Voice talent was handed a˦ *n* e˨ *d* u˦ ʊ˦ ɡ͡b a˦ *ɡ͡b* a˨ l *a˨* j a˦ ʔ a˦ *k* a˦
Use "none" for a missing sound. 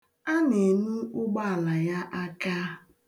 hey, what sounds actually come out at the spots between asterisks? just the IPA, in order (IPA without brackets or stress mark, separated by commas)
n, n, none, a˨, k